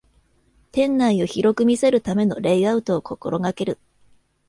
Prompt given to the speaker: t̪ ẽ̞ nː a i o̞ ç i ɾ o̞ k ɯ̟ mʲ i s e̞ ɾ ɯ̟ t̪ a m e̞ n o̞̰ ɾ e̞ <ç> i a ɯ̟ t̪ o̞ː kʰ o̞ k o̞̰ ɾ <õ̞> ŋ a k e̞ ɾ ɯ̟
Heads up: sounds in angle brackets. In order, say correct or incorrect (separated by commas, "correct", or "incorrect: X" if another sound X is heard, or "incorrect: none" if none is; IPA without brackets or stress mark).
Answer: incorrect: none, incorrect: o̞